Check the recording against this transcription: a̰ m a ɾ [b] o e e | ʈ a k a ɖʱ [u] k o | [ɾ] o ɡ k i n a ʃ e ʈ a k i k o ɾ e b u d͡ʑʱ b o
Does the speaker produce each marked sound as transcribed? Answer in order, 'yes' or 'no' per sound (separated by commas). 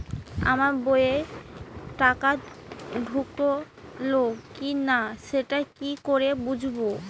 yes, yes, no